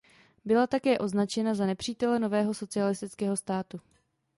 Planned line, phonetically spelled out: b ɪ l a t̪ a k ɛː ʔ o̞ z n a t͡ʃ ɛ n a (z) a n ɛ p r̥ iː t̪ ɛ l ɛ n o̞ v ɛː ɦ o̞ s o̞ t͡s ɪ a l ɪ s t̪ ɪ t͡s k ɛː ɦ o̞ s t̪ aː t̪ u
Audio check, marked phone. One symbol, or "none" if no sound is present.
z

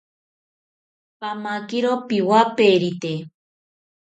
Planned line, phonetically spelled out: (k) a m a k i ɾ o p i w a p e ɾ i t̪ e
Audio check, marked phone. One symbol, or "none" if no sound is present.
p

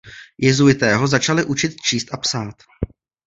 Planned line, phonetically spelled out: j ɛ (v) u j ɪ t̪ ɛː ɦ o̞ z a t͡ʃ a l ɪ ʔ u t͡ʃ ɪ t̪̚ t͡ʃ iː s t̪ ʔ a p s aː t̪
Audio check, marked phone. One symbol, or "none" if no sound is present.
z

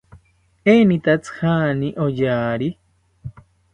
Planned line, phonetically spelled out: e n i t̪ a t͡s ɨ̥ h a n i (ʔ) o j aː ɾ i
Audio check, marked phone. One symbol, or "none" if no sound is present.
ʔ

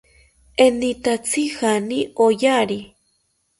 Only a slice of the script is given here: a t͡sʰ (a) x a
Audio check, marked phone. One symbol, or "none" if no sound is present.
i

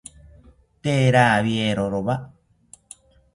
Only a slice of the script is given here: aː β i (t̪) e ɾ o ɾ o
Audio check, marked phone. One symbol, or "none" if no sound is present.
none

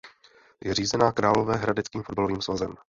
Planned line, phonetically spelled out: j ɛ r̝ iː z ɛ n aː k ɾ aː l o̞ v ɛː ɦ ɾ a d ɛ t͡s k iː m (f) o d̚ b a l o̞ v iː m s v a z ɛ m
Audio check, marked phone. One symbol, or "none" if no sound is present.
f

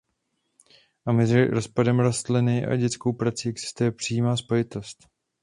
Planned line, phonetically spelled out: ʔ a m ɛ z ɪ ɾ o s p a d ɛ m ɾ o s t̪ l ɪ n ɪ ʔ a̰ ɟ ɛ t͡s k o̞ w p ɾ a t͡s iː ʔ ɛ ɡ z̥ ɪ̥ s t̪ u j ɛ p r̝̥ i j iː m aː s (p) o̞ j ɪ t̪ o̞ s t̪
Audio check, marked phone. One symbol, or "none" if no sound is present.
p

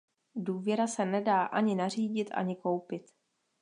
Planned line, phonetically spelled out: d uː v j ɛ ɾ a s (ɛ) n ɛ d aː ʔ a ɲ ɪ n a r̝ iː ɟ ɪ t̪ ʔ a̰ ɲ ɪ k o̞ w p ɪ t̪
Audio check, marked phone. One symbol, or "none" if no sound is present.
ɛ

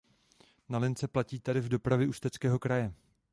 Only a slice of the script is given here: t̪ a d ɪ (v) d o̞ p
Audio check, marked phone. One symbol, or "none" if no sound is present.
v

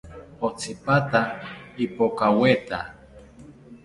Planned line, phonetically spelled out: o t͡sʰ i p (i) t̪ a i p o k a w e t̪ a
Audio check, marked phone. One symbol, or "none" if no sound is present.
a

